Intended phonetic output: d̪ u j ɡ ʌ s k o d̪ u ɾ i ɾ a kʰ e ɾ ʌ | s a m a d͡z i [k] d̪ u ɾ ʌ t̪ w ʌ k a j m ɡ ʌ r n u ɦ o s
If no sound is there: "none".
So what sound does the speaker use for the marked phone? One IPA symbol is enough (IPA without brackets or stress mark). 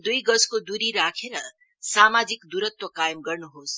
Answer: k